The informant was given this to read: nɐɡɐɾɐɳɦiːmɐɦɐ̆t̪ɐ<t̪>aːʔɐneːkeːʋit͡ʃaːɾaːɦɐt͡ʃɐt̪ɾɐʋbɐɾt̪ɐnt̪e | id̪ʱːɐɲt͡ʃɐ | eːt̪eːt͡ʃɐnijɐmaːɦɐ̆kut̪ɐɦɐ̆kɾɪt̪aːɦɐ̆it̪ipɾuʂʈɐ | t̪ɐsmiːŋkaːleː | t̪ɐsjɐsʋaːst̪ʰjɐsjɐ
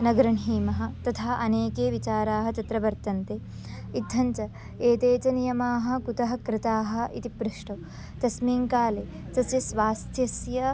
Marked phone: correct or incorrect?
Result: incorrect